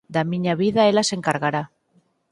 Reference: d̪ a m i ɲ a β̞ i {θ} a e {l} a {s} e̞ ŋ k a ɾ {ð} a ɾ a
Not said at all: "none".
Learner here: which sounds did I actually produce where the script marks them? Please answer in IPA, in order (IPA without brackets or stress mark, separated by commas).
ð, l, s, ɣ